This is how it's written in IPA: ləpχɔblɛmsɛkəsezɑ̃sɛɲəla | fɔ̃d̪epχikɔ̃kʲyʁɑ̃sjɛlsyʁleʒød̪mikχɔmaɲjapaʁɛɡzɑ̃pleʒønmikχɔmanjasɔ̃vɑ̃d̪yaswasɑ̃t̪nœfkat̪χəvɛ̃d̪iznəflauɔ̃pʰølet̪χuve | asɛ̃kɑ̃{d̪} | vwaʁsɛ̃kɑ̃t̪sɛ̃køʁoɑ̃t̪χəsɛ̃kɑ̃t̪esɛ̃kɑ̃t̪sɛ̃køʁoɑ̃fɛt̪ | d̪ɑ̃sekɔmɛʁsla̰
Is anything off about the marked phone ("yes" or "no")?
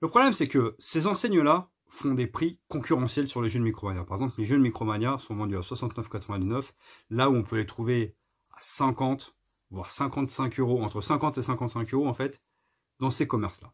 yes